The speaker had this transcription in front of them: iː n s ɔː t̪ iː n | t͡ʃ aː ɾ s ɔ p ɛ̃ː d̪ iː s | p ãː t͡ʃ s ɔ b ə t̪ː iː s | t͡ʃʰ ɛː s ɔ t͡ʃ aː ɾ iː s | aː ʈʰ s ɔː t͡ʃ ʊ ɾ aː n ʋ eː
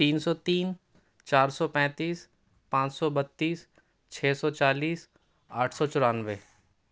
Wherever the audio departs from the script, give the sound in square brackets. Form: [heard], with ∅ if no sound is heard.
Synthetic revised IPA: iː n s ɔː t̪ iː n | t͡ʃ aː ɾ s ɔ p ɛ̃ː [t̪] iː s | p ãː t͡ʃ s ɔ b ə t̪ː iː s | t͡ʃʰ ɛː s ɔ t͡ʃ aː [l] iː s | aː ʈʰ s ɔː t͡ʃ ʊ ɾ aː n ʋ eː